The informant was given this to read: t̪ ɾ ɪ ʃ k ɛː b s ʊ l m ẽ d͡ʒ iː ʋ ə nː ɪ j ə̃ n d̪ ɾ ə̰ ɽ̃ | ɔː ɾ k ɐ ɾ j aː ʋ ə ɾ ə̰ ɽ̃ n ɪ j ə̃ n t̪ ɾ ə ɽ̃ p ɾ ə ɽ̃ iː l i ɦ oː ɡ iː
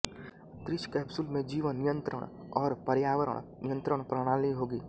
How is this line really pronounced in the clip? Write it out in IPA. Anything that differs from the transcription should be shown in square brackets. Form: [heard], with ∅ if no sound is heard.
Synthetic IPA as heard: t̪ ɾ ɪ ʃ k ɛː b s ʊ l m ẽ d͡ʒ iː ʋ ə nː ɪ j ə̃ n [t̪] ɾ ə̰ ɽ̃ | ɔː ɾ [p] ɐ ɾ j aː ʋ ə ɾ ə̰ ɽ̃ n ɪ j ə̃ n t̪ ɾ ə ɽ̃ p ɾ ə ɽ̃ [aː] l i ɦ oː ɡ iː